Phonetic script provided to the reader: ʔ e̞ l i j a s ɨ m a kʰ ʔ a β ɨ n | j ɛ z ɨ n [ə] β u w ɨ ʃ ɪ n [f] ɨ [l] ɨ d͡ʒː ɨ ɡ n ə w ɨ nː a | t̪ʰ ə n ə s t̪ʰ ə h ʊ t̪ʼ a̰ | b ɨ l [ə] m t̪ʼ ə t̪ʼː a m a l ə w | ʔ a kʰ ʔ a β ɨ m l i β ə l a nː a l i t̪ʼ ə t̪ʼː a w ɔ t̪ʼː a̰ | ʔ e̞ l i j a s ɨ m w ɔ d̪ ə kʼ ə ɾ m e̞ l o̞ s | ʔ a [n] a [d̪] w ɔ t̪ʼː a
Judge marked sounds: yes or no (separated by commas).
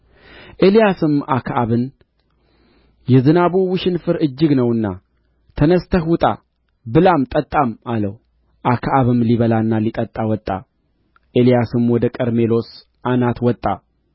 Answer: no, yes, no, no, yes, no